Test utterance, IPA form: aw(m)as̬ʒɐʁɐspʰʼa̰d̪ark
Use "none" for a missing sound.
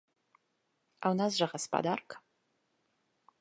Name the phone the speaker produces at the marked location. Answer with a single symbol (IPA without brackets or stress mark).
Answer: n